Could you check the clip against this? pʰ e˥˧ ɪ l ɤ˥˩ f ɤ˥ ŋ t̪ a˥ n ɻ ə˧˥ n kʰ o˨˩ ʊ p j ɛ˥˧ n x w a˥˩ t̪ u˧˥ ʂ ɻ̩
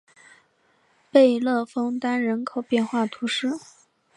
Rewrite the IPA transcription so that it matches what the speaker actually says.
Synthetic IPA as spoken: p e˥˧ ɪ l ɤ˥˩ f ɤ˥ ŋ t̪ a˥ n ɻ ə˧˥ n kʰ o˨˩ ʊ p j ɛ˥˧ n x w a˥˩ t̪ʰ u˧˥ ʂ ɻ̩